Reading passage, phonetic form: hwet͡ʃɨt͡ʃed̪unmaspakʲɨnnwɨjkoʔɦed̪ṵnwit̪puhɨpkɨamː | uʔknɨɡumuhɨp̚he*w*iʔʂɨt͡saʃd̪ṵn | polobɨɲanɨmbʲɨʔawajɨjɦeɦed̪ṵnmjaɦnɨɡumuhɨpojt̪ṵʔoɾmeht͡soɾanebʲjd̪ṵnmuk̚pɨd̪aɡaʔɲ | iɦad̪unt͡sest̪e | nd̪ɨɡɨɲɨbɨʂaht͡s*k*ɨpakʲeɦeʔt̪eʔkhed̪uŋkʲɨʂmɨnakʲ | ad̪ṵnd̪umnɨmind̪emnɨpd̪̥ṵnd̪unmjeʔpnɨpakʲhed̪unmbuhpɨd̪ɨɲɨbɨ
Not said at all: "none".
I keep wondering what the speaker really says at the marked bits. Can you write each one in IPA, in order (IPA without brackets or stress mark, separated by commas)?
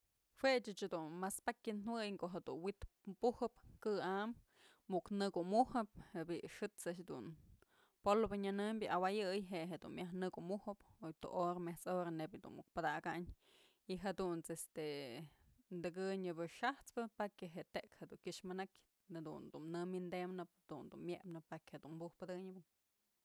b, p